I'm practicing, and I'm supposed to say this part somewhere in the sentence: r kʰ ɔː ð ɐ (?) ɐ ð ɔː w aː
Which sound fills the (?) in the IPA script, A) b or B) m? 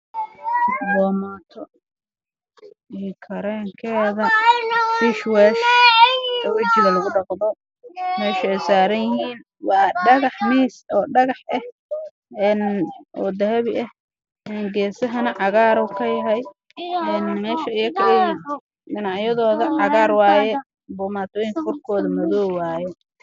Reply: B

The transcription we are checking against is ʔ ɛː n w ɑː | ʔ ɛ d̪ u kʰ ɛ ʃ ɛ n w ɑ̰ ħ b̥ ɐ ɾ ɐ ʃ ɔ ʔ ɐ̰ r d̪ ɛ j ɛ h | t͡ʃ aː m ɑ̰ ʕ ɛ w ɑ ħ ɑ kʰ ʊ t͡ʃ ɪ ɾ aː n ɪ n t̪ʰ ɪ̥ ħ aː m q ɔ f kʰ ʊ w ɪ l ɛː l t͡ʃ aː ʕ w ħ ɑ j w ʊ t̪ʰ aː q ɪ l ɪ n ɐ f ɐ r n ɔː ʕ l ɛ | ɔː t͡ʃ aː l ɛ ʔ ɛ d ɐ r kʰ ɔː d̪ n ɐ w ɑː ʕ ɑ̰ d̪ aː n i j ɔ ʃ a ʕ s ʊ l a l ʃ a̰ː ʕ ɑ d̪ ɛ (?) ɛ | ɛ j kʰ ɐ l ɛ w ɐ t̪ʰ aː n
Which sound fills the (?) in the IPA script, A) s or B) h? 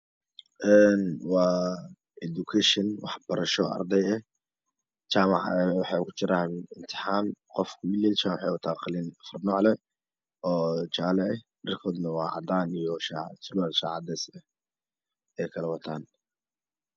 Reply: A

